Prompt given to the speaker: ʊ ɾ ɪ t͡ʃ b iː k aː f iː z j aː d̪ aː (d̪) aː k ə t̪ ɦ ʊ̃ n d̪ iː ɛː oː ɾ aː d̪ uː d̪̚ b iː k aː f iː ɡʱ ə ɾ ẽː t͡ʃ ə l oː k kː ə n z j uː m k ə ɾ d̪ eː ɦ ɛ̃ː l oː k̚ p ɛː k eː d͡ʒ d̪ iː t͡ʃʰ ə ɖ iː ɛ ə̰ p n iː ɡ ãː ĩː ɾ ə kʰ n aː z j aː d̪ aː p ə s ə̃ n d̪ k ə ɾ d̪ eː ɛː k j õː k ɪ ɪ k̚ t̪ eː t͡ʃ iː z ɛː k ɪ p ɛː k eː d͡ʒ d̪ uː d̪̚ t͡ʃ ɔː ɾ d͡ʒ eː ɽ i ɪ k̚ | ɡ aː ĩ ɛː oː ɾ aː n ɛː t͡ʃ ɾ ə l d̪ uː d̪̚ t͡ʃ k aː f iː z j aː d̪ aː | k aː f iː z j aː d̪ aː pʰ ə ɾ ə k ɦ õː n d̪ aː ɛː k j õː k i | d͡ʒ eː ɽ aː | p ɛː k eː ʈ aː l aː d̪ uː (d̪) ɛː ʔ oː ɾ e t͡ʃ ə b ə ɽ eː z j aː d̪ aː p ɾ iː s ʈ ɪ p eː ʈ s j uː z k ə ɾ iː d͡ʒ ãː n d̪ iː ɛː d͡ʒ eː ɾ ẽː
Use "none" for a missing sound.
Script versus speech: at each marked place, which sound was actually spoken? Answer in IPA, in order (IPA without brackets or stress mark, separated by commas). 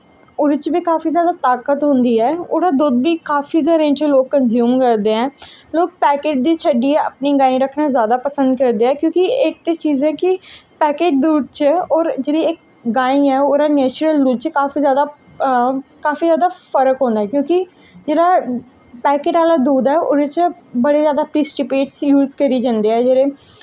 t̪, d̪